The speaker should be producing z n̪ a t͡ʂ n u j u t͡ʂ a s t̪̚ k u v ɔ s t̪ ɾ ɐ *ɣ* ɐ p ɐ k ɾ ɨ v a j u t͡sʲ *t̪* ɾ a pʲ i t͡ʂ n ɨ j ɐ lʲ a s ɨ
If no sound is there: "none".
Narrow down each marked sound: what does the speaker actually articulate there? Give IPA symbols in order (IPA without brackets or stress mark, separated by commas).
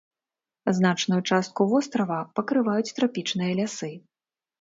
v, t̪